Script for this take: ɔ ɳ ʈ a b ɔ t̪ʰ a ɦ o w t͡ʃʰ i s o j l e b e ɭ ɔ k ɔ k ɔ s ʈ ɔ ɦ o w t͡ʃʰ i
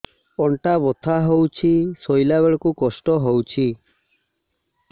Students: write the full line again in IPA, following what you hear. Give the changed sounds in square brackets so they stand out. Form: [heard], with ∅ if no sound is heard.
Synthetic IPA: ɔ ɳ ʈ a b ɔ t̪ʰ a ɦ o w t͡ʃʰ i s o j l [a] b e ɭ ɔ k [u] k ɔ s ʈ ɔ ɦ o w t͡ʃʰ i